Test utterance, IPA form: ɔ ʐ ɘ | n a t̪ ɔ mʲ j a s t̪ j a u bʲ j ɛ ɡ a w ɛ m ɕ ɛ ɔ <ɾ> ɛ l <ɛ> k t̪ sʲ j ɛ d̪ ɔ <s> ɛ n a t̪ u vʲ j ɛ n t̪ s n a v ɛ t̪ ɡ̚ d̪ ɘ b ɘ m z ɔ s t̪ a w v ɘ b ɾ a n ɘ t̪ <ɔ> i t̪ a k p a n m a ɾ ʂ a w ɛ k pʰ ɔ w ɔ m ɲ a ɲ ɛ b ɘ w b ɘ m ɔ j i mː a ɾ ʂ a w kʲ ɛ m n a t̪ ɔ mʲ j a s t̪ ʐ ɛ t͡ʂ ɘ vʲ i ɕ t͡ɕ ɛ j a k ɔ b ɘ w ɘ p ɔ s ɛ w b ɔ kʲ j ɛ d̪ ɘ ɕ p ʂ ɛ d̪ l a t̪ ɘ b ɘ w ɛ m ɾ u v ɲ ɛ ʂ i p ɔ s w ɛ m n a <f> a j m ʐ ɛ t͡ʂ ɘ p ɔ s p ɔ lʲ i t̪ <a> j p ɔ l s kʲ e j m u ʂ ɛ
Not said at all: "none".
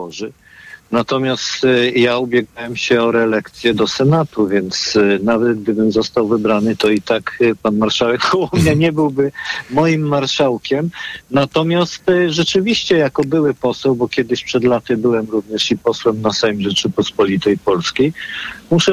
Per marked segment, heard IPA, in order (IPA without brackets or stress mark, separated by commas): ɾ, ɛ, s, ɔ, s, ɛ